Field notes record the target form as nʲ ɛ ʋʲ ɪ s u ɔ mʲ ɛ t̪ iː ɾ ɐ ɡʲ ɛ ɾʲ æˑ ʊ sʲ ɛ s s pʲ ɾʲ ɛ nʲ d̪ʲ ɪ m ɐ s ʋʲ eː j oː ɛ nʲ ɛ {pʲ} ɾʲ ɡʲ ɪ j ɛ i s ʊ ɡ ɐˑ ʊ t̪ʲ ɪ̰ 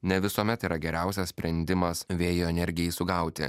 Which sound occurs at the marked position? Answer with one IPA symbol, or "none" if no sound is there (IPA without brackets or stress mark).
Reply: none